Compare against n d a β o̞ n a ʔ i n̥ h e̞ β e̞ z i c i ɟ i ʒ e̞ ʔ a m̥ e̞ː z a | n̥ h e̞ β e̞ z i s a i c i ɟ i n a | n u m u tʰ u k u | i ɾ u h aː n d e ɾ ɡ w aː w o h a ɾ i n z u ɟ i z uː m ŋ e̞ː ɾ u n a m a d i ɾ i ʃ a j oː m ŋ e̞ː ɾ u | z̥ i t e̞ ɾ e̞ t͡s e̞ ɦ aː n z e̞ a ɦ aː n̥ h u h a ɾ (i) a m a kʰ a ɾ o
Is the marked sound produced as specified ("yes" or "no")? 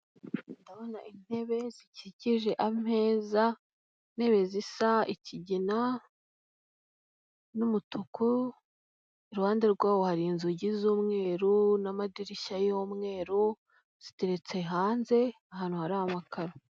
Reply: no